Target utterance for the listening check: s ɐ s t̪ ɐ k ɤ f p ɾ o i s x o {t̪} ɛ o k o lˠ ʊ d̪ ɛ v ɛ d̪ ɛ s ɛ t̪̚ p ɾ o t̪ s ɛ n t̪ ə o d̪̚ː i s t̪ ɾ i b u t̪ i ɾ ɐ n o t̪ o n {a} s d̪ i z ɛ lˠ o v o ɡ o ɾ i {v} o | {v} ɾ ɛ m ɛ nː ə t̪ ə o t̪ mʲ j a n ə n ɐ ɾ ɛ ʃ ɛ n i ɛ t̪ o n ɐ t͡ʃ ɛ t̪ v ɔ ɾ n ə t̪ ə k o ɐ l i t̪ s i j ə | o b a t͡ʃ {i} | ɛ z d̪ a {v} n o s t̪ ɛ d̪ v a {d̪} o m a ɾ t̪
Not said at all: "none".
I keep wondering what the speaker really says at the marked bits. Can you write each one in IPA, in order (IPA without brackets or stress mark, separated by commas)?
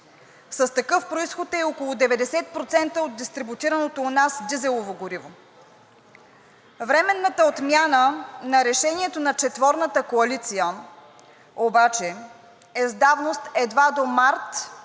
t̪, a, v, v, ɛ, v, d̪